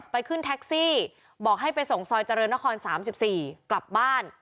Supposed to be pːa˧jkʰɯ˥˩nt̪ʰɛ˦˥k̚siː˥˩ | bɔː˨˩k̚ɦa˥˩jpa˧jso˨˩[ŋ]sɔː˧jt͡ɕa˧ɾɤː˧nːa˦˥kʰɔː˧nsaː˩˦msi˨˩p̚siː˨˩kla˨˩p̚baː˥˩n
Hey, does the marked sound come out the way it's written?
yes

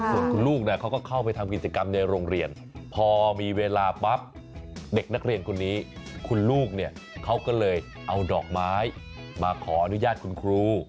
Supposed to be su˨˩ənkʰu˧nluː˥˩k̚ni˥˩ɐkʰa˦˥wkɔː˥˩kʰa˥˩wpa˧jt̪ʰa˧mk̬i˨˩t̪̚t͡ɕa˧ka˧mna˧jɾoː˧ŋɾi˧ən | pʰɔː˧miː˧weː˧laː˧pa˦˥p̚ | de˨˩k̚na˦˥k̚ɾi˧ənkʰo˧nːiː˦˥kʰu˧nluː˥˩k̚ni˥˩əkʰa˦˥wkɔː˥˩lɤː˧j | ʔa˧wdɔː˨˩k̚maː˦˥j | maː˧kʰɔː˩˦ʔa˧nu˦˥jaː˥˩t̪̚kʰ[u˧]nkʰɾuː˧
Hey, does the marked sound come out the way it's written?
yes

